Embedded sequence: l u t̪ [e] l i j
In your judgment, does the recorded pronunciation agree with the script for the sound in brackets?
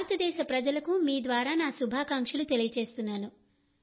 yes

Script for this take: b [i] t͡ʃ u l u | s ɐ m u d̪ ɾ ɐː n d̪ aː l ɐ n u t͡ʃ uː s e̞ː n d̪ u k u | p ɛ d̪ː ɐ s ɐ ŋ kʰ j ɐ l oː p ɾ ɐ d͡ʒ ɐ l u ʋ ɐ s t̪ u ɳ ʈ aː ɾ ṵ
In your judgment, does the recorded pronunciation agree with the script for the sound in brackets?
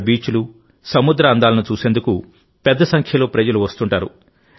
no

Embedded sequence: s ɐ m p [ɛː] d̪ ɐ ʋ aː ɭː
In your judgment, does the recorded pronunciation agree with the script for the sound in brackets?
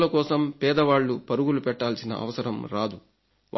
yes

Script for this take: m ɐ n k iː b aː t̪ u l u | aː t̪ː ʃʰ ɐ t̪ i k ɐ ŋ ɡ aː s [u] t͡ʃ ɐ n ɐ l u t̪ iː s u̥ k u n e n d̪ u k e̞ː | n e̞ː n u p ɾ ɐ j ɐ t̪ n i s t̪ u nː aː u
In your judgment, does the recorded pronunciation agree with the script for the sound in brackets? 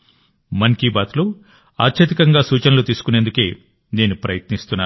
no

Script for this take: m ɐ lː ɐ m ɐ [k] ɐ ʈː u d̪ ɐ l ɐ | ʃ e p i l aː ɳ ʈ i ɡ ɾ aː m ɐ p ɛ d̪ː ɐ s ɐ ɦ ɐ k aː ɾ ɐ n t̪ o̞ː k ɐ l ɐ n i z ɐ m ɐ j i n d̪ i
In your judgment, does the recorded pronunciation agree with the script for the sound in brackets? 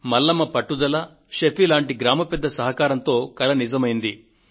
no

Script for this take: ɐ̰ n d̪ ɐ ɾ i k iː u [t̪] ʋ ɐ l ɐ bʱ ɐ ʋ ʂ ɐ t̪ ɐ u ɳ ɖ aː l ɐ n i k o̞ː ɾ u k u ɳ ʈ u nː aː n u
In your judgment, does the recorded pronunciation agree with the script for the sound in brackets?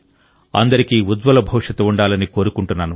no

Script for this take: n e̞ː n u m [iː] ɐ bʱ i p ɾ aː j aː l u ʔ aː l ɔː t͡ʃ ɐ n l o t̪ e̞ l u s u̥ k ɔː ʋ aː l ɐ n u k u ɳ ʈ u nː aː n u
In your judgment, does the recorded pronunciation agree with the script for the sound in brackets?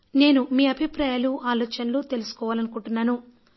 yes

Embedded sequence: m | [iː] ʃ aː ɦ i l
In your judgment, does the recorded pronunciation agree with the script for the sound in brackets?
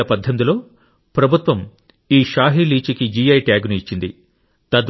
yes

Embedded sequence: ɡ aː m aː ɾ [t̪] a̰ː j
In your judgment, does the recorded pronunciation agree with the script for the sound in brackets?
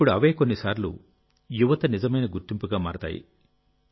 yes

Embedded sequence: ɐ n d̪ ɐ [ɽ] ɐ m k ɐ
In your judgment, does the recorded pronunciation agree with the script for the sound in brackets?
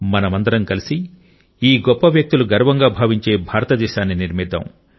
no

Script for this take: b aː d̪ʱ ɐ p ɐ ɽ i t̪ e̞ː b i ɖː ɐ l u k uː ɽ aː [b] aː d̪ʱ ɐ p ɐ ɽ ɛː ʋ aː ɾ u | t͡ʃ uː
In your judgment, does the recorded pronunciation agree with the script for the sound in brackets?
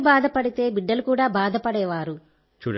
yes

